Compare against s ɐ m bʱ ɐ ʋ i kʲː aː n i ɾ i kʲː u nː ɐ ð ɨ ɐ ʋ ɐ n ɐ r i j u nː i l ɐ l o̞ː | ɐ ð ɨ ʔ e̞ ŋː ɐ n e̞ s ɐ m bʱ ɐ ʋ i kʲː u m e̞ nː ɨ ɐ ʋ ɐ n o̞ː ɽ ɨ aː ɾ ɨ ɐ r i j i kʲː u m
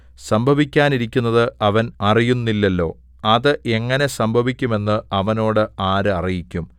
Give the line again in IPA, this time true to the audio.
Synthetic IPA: s ɐ m bʱ ɐ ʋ i kʲː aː n i ɾ i kʲː u nː ɐ ð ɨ ɐ ʋ ɐ n ɐ r i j u nː i lː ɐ lː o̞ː | ɐ ð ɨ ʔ e̞ ŋː ɐ n e̞ s ɐ m bʱ ɐ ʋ i kʲː u m e̞ nː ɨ ɐ ʋ ɐ n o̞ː ɽ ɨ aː ɾ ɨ ɐ r i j i kʲː u m